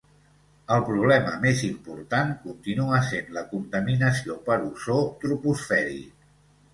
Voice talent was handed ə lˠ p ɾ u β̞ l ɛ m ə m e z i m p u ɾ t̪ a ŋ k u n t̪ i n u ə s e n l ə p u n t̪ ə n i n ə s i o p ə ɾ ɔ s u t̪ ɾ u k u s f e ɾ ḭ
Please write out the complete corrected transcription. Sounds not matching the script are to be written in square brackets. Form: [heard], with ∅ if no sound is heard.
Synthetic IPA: ə lˠ p ɾ u β̞ l ɛ m ə m e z i m p u ɾ t̪ a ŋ k u n t̪ i n u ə s e n l ə [k] u n t̪ ə [m] i n ə s i o p ə ɾ [u] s [o] t̪ ɾ u [p] u s f [ɛ] ɾ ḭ